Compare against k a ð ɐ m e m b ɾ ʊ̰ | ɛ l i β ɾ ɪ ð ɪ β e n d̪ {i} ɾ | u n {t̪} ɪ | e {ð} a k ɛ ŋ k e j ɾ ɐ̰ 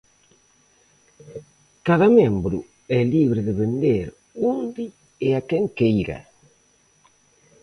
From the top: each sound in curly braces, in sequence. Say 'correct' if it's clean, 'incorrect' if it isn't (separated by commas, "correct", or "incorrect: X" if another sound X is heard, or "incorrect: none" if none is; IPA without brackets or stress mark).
incorrect: e, incorrect: d̪, incorrect: none